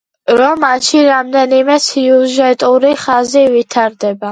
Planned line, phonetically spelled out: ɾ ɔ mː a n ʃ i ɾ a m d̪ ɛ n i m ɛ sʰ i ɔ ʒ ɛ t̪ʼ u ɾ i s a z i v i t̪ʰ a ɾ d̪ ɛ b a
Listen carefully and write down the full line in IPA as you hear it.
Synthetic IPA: ɾ ɔ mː a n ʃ i ɾ a m d̪ ɛ n i m ɛ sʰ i u ʒ ɛ t̪ʼ u ɾ i χ a z i v i t̪ʰ a ɾ d̪ ɛ b a